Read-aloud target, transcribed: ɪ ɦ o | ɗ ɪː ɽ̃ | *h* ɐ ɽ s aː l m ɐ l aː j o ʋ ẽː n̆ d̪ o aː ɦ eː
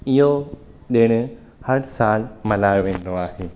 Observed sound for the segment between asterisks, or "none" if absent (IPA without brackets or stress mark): h